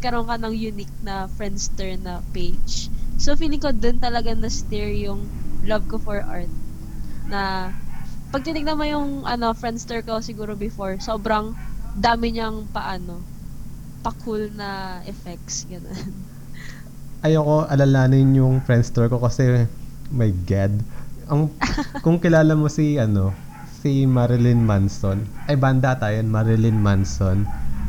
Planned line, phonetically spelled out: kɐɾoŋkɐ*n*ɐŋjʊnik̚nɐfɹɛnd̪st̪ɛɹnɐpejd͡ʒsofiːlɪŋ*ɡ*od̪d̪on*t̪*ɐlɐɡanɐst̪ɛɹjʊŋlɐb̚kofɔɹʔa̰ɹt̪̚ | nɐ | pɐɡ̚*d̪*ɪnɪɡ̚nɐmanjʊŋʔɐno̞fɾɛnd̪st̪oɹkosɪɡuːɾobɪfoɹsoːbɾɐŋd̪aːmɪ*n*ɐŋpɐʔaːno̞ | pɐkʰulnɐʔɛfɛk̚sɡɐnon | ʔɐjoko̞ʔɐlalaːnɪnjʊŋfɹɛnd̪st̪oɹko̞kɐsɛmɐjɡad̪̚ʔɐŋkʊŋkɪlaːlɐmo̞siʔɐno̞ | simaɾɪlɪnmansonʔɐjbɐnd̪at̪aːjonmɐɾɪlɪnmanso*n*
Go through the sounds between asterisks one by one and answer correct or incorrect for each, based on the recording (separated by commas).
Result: correct, incorrect, correct, incorrect, incorrect, correct